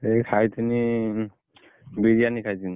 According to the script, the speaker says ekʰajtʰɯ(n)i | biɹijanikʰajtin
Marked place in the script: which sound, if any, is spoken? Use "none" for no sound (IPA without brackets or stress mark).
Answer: n